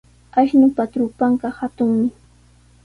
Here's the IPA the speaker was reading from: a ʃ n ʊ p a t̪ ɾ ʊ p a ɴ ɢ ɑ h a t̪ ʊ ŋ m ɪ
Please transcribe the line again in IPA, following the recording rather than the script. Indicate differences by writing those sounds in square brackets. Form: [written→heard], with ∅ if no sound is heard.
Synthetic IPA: a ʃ n ʊ p a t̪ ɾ ʊ p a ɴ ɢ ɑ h a t̪ ʊ ŋ m ɪ